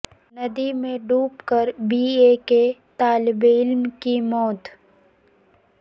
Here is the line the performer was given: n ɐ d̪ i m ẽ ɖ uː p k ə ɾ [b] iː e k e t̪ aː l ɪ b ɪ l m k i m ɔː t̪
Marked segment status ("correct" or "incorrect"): correct